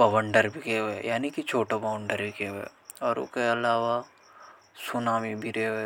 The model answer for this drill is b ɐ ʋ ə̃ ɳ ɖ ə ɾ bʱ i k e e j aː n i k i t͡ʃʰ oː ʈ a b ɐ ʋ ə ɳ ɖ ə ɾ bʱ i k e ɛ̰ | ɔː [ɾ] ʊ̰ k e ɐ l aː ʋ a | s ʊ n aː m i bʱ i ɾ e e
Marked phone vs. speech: correct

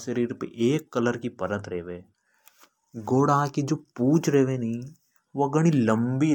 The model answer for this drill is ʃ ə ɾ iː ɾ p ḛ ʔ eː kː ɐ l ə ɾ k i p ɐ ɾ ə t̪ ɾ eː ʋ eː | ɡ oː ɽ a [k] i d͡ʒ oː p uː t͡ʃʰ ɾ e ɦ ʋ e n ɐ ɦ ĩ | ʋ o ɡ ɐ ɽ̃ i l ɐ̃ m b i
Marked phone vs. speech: correct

